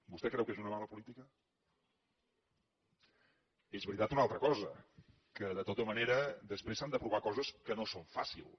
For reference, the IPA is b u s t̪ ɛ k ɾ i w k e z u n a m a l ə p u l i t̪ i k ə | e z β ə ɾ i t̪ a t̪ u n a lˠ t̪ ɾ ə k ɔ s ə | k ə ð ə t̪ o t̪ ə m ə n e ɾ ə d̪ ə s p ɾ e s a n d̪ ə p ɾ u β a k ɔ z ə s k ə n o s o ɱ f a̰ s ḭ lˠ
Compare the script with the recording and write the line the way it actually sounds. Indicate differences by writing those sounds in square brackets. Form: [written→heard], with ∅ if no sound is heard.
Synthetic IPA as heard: b u s t̪ ɛ k ɾ [i→ɛ] w k e z u n [a→ə] m a l ə p u l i t̪ i k ə | e z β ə ɾ i t̪ a t̪ u n a lˠ t̪ ɾ ə k ɔ [s→z] ə | k ə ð ə t̪ o t̪ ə m ə n e ɾ ə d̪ ə s p ɾ e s a n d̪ ə p ɾ u β a k ɔ z ə s k ə n o s o ɱ f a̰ s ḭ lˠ